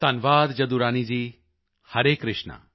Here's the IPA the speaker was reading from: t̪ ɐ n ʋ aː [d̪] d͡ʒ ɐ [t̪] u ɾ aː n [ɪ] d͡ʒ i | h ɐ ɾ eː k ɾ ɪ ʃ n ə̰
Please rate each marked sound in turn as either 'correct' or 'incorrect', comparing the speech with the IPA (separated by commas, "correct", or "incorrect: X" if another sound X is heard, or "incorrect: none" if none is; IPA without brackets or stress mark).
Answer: correct, incorrect: d̪, incorrect: i